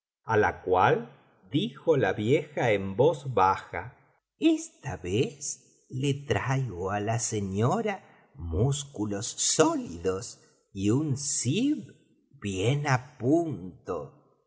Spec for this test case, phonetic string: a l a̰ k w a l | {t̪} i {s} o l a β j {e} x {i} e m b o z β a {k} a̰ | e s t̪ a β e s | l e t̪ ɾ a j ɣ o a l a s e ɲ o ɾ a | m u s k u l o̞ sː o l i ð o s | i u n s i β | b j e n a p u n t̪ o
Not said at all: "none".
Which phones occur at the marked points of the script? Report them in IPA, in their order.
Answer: d̪, x, e, a, x

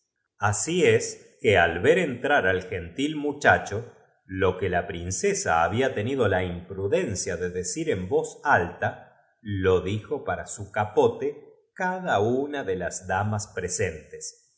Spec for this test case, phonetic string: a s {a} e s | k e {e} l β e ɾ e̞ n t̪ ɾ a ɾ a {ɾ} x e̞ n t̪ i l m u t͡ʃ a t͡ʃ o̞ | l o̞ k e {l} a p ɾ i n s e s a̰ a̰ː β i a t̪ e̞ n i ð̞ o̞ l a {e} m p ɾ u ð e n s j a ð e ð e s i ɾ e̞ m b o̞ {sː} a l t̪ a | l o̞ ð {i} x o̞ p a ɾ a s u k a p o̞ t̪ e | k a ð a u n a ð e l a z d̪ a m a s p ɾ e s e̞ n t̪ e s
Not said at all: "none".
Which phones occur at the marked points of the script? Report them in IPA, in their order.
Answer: i, a, l, l, i, s, i

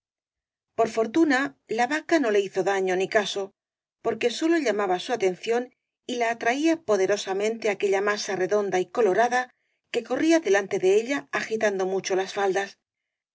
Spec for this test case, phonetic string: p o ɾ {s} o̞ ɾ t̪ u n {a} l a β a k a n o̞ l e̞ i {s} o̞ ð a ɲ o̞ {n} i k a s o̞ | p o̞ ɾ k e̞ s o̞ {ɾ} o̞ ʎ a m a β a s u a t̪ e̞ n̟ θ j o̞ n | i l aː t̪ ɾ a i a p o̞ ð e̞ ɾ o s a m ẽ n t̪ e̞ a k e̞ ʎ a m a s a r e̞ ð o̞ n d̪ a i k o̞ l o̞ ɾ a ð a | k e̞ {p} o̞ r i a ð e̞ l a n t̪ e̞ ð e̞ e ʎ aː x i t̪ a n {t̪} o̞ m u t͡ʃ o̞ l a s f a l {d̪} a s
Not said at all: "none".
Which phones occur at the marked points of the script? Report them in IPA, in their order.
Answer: f, a, θ, n, l, k, d̪, d̪

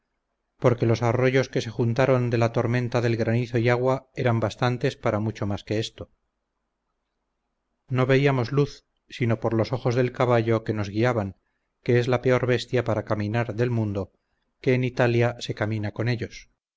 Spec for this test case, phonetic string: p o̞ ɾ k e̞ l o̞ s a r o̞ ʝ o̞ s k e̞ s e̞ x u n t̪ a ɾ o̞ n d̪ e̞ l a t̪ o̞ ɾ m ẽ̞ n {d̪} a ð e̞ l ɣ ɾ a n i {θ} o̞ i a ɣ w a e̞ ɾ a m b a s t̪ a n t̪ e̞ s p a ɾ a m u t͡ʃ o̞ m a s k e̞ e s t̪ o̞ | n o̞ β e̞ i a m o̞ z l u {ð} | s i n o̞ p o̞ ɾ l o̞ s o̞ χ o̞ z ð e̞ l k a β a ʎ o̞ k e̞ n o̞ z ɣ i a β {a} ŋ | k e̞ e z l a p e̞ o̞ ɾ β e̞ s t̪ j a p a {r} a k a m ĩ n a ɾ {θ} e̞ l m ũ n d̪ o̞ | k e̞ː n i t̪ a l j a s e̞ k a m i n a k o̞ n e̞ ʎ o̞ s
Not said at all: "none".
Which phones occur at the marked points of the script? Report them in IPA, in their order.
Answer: t̪, θ, θ, a, ɾ, ð

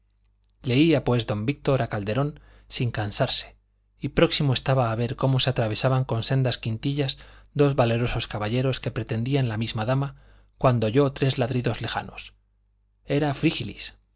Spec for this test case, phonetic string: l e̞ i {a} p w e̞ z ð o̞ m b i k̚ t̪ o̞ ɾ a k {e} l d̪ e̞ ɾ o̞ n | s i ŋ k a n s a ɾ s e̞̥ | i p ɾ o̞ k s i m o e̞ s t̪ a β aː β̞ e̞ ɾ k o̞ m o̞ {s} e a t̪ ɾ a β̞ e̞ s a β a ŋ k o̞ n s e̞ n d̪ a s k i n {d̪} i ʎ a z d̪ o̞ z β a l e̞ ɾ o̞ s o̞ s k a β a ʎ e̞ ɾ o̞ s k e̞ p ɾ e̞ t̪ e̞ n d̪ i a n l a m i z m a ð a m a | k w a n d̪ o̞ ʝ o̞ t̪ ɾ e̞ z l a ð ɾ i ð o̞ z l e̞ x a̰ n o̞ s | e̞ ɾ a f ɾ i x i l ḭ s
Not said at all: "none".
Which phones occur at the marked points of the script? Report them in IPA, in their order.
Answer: a, a, s, t̪

